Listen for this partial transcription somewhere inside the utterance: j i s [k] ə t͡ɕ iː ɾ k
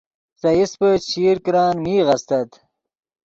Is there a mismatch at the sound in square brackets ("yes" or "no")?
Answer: yes